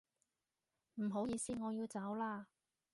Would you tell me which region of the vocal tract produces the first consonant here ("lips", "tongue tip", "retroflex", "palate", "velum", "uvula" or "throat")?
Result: lips